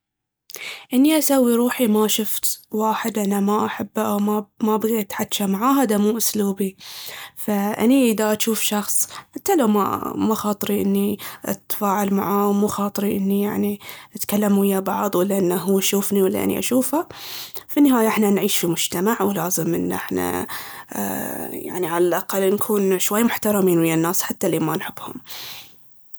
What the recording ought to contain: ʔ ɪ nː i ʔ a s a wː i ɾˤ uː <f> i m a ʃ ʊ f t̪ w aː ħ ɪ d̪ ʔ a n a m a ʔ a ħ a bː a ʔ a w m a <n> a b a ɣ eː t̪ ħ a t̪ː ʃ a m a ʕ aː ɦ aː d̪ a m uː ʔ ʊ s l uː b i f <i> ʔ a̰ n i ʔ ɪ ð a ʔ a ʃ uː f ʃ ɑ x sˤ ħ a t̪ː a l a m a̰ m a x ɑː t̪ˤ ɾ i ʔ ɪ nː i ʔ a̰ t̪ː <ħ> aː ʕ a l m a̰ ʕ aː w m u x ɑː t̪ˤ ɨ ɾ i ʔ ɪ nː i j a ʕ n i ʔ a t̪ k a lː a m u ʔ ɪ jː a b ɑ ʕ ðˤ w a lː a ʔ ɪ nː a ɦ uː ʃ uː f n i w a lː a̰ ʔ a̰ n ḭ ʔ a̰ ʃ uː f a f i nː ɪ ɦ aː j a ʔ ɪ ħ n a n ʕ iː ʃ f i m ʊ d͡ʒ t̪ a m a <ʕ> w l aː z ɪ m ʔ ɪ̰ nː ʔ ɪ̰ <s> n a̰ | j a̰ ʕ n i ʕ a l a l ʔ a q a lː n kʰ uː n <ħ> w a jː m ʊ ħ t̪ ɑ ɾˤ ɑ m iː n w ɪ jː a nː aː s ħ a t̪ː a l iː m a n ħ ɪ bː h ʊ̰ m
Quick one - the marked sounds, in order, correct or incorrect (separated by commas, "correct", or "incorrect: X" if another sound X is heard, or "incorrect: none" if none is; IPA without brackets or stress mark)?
incorrect: ħ, incorrect: m, incorrect: a, incorrect: f, correct, incorrect: ħ, incorrect: ʃ